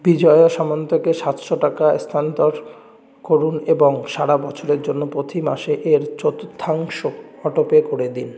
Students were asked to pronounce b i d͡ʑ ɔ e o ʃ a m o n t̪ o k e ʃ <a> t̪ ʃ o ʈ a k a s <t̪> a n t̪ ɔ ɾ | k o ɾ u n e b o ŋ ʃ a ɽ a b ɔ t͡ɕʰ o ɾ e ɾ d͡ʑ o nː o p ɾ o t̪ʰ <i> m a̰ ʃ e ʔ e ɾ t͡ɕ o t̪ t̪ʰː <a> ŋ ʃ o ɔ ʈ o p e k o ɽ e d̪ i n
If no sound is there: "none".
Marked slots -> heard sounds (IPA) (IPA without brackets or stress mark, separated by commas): a, t̪ʰ, i, a